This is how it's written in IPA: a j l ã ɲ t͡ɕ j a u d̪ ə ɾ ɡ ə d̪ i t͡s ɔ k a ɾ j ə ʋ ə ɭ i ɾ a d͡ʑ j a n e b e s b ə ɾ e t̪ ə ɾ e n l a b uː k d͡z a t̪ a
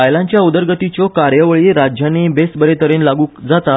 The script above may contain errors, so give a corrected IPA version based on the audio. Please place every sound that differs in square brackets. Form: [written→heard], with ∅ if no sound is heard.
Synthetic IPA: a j l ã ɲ t͡ɕ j a u d̪ ə ɾ ɡ ə [d̪→t̪] i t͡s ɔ k a ɾ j ə ʋ ə ɭ i ɾ a d͡ʑ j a n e b e s b ə ɾ e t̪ ə ɾ e n l a [b→ɡ] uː k d͡z a t̪ a

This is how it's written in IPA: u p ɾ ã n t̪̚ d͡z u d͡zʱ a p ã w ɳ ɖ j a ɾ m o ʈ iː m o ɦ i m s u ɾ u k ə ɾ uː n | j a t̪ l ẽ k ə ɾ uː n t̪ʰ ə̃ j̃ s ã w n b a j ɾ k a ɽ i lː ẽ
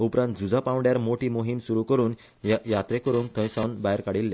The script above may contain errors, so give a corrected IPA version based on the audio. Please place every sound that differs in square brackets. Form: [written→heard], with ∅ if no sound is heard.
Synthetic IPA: u p ɾ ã n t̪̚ d͡z u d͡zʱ a p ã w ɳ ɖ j a ɾ m o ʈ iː m o ɦ i m s u ɾ u k ə ɾ uː n | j a t̪ [l→ɾ] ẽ k ə ɾ uː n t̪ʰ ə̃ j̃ s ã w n b a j ɾ k a ɽ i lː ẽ

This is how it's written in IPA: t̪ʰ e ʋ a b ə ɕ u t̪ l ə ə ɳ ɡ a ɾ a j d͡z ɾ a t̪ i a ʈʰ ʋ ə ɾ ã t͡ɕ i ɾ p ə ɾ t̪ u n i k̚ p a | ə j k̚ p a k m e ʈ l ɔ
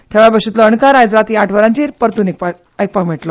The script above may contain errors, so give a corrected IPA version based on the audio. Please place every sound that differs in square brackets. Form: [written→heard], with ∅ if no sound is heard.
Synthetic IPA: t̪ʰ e ʋ a b ə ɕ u t̪ l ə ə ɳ [ɡ→k] a ɾ a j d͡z ɾ a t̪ i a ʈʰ ʋ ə ɾ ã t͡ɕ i ɾ p ə ɾ t̪ u n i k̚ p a | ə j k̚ p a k m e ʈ l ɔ

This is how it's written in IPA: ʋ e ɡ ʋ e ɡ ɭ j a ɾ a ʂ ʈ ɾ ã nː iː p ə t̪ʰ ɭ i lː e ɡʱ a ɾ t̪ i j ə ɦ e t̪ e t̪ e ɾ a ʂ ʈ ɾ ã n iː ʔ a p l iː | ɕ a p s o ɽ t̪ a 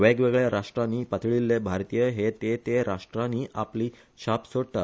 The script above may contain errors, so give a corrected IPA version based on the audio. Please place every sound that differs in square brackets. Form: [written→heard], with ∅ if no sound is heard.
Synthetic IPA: ʋ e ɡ ʋ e ɡ ɭ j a ɾ a ʂ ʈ ɾ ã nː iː p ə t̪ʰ ɭ i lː e [ɡʱ→bʱ] a ɾ t̪ i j ə ɦ e t̪ e t̪ e ɾ a ʂ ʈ ɾ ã n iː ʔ a p l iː | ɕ a p s o ɽ t̪ a

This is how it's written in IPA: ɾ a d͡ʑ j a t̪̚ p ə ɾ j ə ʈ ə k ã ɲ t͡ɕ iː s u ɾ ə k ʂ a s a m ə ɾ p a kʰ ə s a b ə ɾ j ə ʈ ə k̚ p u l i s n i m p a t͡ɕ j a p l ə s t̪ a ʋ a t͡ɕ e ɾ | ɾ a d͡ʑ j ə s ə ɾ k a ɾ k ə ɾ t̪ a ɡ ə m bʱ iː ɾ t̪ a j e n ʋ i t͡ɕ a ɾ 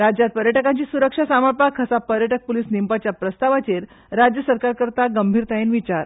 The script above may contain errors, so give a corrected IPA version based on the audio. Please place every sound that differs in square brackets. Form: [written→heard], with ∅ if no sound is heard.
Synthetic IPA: ɾ a d͡ʑ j a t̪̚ p ə ɾ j ə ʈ ə k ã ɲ t͡ɕ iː s u ɾ ə k ʂ a s a m ə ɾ p a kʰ ə s a [b→p] ə ɾ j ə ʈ ə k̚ p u l i s n i m p a t͡ɕ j a p [l→ɾ] ə s t̪ a ʋ a t͡ɕ e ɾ | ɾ a d͡ʑ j ə s ə ɾ k a ɾ k ə ɾ t̪ a ɡ ə m bʱ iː ɾ t̪ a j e n ʋ i t͡ɕ a ɾ

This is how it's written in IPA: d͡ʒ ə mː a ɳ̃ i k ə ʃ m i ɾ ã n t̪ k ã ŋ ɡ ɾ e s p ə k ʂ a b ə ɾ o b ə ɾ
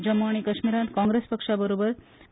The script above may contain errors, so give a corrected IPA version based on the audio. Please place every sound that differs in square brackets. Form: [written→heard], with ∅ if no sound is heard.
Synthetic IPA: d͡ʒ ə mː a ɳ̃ i k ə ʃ m i ɾ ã n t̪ k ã ŋ ɡ ɾ e s p ə k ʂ a b ə ɾ o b ə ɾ

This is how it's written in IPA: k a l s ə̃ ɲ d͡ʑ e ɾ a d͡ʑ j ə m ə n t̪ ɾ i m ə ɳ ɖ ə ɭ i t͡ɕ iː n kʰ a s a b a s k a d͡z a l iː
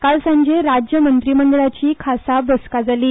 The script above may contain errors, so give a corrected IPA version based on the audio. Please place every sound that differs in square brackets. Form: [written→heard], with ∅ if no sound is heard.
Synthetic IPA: k a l s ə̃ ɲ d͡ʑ e ɾ a d͡ʑ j ə m ə n t̪ ɾ i m ə ɳ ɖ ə ɭ [i→a] t͡ɕ iː [n→∅] kʰ a s a b [a→ə] s k a d͡z a l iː

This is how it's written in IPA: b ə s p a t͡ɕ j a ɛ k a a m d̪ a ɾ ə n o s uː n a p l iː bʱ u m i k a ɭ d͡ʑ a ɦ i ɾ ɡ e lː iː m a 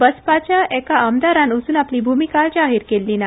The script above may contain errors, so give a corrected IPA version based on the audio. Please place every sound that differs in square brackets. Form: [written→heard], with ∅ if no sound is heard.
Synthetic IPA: b ə s p a t͡ɕ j a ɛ k a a m d̪ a ɾ [ə→a] n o s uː n a p l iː bʱ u m i k a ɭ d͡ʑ a ɦ i ɾ [ɡ→k] e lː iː [m→n] a

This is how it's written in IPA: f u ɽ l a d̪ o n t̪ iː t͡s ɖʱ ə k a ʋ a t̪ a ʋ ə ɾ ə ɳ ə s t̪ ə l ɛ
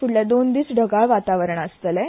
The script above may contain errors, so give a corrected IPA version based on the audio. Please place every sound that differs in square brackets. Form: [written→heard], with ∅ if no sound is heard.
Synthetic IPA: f u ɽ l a d̪ o n [t̪→d̪] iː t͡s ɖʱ ə [k→ɡ] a ʋ a t̪ a ʋ ə ɾ ə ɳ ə s t̪ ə l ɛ

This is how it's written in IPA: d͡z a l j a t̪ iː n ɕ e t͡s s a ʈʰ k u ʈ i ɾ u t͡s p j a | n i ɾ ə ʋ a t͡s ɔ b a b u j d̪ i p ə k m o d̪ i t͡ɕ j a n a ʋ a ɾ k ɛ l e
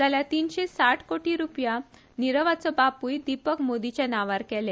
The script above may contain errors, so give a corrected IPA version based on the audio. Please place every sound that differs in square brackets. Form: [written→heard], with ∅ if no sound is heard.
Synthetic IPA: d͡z a l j a t̪ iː n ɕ e [t͡s→∅] s a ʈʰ k [u→o] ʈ i ɾ u [t͡s→∅] p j a | n i ɾ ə ʋ a t͡s ɔ b a [b→p] u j d̪ i p ə k m o d̪ i t͡ɕ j a n a ʋ a ɾ k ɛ l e

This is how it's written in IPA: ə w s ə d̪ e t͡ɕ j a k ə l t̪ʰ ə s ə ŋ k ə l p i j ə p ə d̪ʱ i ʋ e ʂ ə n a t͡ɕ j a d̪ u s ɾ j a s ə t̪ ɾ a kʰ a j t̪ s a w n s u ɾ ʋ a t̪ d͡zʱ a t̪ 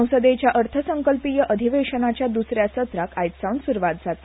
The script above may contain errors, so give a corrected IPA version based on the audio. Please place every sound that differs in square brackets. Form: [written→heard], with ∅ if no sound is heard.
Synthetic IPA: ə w s ə d̪ e t͡ɕ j a [k→ʔ] ə [l→ɾ] t̪ʰ ə s ə ŋ k ə l p i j ə [p→ʔ] ə d̪ʱ i ʋ e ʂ ə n a t͡ɕ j a d̪ u s ɾ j a s ə t̪ ɾ a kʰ a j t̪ s a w n s u ɾ ʋ a t̪ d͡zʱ a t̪

